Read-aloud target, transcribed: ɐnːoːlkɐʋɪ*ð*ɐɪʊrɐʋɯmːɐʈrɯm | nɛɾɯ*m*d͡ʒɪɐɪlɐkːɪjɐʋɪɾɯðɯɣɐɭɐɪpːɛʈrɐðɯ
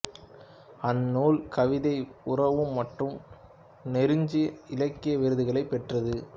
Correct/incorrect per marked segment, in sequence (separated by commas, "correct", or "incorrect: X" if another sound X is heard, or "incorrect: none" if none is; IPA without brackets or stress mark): correct, incorrect: ɲ